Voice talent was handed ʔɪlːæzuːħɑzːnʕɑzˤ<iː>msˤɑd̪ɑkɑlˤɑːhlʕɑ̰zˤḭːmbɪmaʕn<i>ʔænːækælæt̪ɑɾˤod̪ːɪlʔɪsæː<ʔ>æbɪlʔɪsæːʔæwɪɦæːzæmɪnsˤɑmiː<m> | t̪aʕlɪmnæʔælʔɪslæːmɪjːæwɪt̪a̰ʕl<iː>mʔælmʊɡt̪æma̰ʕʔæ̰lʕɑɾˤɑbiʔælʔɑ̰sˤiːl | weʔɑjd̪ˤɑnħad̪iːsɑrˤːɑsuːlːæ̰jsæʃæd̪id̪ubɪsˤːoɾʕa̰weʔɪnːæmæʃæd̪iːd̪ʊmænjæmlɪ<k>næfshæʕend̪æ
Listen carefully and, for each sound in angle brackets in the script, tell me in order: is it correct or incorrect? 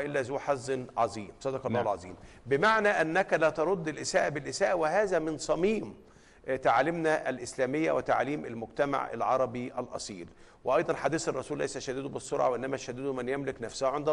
correct, incorrect, correct, correct, correct, correct

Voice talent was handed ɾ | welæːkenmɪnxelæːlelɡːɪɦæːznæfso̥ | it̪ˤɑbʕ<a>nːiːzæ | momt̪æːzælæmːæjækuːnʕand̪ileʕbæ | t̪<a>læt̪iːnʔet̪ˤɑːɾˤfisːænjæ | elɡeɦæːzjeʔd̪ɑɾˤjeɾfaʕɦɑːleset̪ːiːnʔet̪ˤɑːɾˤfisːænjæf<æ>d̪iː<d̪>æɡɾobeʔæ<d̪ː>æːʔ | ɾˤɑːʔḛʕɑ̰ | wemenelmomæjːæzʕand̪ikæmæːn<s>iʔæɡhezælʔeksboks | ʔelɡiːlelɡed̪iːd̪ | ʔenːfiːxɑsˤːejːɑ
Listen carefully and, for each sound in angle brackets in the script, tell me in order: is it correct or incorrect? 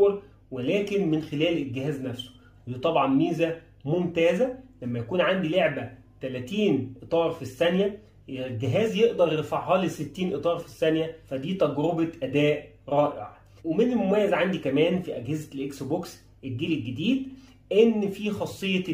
incorrect, incorrect, correct, incorrect, incorrect, incorrect

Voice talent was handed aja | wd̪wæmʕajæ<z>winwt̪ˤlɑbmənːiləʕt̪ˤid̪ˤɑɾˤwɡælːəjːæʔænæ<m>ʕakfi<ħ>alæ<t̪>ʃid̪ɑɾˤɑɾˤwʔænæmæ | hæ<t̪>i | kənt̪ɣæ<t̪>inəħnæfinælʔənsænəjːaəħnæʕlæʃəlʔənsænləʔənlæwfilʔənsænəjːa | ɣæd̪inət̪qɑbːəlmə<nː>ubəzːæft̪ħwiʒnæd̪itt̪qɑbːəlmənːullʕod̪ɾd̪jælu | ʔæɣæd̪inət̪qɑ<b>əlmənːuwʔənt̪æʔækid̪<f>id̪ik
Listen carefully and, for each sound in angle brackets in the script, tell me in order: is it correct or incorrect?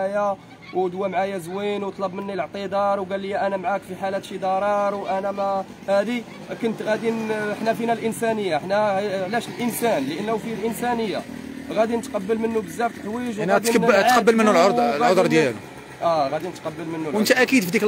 correct, correct, correct, correct, incorrect, incorrect, correct, incorrect, correct

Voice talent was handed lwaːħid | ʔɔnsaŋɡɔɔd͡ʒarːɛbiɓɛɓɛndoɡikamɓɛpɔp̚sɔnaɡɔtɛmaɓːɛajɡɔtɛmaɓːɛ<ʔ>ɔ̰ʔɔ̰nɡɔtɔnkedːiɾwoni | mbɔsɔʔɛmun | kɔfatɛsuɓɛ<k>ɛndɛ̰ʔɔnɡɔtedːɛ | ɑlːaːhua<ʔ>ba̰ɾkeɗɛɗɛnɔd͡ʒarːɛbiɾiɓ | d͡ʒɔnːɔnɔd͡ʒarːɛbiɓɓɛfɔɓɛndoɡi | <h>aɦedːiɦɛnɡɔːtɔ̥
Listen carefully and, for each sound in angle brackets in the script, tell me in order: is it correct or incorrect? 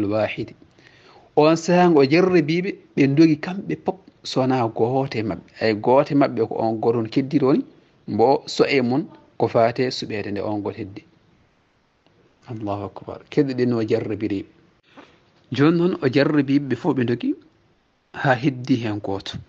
incorrect, incorrect, incorrect, correct

